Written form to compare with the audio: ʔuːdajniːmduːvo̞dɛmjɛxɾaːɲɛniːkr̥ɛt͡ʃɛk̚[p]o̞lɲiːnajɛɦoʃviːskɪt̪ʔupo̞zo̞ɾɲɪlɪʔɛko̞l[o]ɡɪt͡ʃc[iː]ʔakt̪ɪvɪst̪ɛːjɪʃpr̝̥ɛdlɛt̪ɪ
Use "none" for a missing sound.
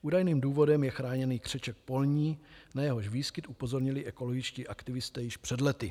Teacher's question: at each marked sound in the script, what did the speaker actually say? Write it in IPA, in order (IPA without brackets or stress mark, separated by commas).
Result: p, o, iː